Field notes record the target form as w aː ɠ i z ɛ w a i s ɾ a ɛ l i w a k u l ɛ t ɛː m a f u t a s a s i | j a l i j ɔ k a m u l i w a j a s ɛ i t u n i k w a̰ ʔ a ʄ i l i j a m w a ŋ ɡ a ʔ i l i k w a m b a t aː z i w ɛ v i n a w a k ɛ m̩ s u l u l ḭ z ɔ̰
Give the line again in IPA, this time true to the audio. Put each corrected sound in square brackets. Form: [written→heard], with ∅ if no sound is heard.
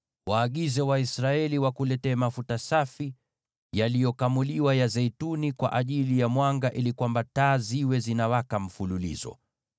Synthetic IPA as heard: w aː ɠ i z ɛ w a i s ɾ a ɛ l i w a k u l ɛ t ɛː m a f u t a s a [s→f] i | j a l i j ɔ k a m u l i w a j a [s→z] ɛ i t u n i k w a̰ ʔ a ʄ i l i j a m w a ŋ ɡ a ʔ i l i k w a m b a t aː z i w ɛ [v→z] i n a w a k [ɛ→a] m̩ [s→f] u l u l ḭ z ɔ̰

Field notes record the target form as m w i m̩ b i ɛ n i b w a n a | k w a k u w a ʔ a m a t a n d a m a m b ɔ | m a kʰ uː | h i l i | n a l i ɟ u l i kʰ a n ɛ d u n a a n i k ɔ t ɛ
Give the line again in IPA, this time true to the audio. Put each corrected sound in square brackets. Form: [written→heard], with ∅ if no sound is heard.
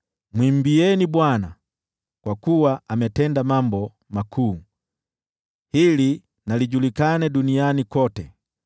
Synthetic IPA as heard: m w i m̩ b i ɛ n i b w a n a | k w a k u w a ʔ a m [a→ɛ] t [a→ɛ] n d a m a m b ɔ | m a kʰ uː | h i l i | n a l i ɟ u l i [kʰ→k] a n ɛ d u n [a→i] a n i k ɔ t ɛ

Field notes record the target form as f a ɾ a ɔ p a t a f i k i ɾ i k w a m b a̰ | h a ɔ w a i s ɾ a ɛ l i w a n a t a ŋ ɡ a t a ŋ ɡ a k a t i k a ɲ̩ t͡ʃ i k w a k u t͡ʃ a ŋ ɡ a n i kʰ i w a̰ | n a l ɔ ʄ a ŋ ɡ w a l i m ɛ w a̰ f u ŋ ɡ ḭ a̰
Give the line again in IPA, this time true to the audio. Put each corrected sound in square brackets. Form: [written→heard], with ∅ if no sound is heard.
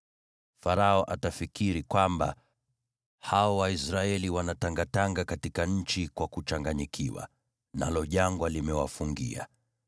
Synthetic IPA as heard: f a ɾ a ɔ [p→ʔ] a t a f i k i ɾ i k w a m b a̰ | h a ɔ w a i s ɾ a ɛ l i w a n a t a ŋ ɡ a t a ŋ ɡ a k a t i k a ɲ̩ t͡ʃ i k w a k u t͡ʃ a ŋ ɡ a [n→ɲ] i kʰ i w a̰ | n a l ɔ ʄ a ŋ ɡ w a l i m ɛ w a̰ f u ŋ ɡ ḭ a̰

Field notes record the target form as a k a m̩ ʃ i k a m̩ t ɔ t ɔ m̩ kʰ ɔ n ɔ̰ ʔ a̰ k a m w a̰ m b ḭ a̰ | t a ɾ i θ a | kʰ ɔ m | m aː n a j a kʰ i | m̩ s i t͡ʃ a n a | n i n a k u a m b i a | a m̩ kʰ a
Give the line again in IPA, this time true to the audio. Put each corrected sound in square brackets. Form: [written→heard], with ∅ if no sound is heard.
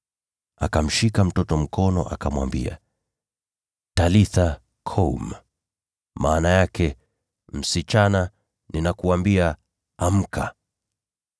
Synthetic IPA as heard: a k a m̩ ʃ i k a m̩ t ɔ t ɔ m̩ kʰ ɔ n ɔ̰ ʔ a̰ k a m w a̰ m b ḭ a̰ | t a [ɾ→l] i θ a | kʰ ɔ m | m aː n a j a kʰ [i→ɛ] | m̩ s i t͡ʃ a n a | n i n a k u a m b i a | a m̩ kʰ a

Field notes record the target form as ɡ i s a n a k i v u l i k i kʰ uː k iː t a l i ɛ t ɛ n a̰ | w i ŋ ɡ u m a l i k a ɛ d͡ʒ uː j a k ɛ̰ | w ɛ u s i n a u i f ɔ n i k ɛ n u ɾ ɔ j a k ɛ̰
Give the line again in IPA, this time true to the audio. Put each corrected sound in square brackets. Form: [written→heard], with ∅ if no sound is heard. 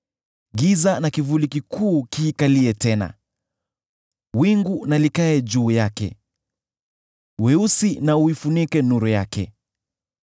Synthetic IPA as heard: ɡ i [s→z] a n a k i v u l i k i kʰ uː k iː [t→k] a l i ɛ t ɛ n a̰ | w i ŋ ɡ u [m→n] a l i k a ɛ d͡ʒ uː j a k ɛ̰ | w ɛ u s i n a u i f [ɔ→u] n i k ɛ n u ɾ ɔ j a k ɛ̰

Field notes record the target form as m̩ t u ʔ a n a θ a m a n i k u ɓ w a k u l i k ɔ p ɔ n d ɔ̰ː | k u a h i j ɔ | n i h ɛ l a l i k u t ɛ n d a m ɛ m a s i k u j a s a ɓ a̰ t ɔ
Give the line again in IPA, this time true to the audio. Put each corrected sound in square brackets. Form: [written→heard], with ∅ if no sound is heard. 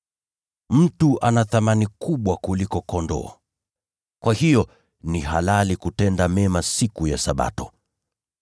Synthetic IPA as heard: m̩ t u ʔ a n a θ a m a n i k u ɓ w a k u l i k ɔ [p→k] ɔ n d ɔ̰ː | k [u→w] a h i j ɔ | n i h [ɛ→a] l a l i k u t ɛ n d a m ɛ m a s i k u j a s a ɓ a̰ t ɔ

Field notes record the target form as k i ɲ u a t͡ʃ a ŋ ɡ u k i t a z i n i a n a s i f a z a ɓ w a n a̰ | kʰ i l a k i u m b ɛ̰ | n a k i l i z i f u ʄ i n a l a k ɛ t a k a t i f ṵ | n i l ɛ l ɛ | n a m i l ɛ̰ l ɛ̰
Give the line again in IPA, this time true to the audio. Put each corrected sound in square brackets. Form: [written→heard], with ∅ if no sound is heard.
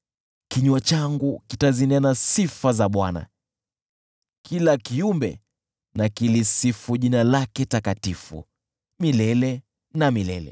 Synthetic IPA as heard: k i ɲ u a t͡ʃ a ŋ ɡ u k i t a z i n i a n a s i f a z a ɓ w a n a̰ | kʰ i l a k i u m b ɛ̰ | n a k i l i [z→s] i f u ʄ i n a l a k ɛ t a k a t i f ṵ | [n→m] i l ɛ l ɛ | n a m i l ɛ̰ l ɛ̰

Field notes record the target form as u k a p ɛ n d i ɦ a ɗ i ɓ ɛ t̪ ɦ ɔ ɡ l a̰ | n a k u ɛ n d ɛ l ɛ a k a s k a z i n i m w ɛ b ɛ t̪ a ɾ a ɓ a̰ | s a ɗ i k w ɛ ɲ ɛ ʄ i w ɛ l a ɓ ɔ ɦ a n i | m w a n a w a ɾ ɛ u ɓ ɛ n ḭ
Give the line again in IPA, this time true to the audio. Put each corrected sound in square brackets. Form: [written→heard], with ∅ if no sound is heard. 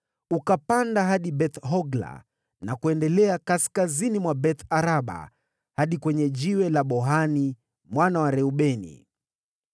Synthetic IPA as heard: u k a p [ɛ→a] n d [i→a] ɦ a ɗ i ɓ ɛ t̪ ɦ ɔ ɡ l a̰ | n a k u ɛ n d ɛ l ɛ a k a s k a z i n i m w [ɛ→a] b ɛ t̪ a ɾ a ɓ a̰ | [s→h] a ɗ i k w ɛ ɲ ɛ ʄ i w ɛ l a ɓ ɔ ɦ a n i | m w a n a w a ɾ ɛ u ɓ ɛ n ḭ

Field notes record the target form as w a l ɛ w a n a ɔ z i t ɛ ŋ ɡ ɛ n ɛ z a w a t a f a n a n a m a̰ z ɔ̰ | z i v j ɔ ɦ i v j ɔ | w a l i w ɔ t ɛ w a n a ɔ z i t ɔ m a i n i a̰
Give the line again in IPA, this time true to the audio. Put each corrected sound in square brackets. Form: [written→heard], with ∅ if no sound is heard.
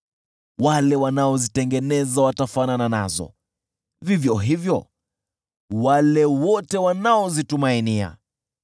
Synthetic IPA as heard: w a l ɛ w a n a ɔ z i t ɛ ŋ ɡ ɛ n ɛ z a w a t a f a n a n a [m→n] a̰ z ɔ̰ | [z→v] i v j ɔ ɦ i v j ɔ | w a l [i→ɛ] w ɔ t ɛ w a n a ɔ z i t [ɔ→u] m a i n i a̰

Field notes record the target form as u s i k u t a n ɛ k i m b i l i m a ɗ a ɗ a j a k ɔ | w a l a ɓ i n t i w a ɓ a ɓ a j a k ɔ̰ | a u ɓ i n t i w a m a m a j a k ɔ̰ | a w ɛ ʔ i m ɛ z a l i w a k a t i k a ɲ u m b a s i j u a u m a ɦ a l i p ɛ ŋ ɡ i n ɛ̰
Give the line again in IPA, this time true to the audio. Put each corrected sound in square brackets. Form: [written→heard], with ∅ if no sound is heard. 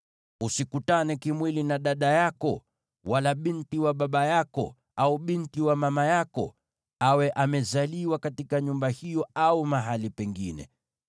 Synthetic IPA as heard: u s i k u t a n ɛ k i m [b→w] i l i [m→n] a ɗ a ɗ a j a k ɔ | w a l a ɓ i n t i w a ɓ a ɓ a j a k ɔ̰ | a u ɓ i n t i w a m a m a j a k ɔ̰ | a w ɛ ʔ [i→a] m ɛ z a l i w a k a t i k a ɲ u m b a [s→h] i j [u→ɔ] a u m a ɦ a l i p ɛ ŋ ɡ i n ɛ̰

